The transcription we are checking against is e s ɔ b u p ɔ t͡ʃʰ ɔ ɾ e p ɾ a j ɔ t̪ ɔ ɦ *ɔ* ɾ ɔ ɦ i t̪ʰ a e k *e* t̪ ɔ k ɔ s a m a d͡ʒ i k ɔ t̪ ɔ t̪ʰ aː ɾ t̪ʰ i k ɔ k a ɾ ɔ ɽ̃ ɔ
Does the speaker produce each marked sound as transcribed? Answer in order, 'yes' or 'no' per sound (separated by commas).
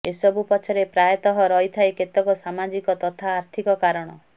yes, yes